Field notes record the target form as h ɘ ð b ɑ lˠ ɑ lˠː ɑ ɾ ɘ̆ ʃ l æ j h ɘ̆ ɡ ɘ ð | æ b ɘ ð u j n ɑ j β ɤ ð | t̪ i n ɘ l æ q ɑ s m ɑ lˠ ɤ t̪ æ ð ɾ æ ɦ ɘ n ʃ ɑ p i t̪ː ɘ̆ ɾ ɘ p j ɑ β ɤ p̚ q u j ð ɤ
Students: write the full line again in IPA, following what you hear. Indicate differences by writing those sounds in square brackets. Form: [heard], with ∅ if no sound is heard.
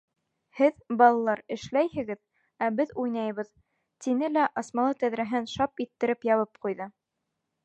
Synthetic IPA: h ɘ ð b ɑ lˠ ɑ [lˠ] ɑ ɾ ɘ̆ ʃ l æ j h ɘ̆ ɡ ɘ ð | æ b ɘ ð u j n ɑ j β ɤ ð | t̪ i n ɘ l æ [ʔ] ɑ s m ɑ lˠ ɤ t̪ æ ð ɾ æ ɦ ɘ n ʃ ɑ p i t̪ː ɘ̆ ɾ ɘ p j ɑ β ɤ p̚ q u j ð ɤ